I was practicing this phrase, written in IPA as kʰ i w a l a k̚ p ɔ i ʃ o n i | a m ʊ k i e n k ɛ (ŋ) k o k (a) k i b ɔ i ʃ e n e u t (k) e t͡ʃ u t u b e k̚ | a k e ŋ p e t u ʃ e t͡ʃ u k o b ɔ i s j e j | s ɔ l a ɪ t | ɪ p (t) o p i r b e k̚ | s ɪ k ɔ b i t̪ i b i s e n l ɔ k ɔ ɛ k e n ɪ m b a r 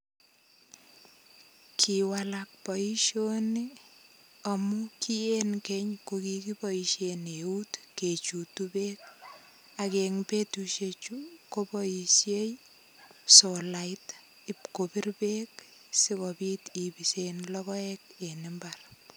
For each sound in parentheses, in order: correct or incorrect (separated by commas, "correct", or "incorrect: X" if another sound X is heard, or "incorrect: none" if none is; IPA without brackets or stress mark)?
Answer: incorrect: ɲ, incorrect: i, correct, incorrect: k